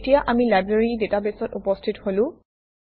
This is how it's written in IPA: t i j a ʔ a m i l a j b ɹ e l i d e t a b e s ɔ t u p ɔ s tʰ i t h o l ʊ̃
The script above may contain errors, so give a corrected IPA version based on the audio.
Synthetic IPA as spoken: t i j a ʔ a m i l a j b ɹ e ɹ i d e t a b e s ɔ t u p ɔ s tʰ i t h o l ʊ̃